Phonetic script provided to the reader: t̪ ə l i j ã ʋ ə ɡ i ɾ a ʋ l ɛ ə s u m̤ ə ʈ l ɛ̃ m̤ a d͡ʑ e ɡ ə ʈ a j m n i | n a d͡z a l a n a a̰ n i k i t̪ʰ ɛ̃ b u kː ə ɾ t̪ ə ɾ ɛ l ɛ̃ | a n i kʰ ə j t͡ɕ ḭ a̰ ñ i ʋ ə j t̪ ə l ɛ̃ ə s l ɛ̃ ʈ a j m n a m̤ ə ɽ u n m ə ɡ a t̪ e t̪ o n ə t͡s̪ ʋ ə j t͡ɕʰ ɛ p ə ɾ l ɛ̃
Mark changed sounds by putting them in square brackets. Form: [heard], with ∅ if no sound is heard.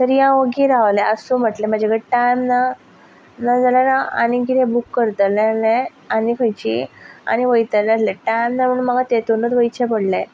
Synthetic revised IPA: t̪ ə [ɾ] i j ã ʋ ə ɡ i ɾ a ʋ l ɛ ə s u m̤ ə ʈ l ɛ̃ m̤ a d͡ʑ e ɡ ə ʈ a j m n [a] | n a d͡z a l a n a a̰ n i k i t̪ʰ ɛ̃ b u kː ə ɾ t̪ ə [l] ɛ l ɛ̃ | a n i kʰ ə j t͡ɕ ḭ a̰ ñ i ʋ ə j t̪ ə l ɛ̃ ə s l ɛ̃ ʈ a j m n a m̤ ə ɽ u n m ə ɡ a t̪ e t̪ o n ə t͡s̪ ʋ ə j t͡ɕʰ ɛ p ə [ɽ] l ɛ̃